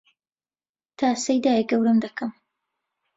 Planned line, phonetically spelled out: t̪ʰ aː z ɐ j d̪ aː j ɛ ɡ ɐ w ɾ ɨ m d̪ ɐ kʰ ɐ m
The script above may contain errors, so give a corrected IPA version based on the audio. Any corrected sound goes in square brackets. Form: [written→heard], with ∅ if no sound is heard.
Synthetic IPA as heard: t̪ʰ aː [z→s] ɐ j d̪ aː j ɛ ɡ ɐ w ɾ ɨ m d̪ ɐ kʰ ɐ m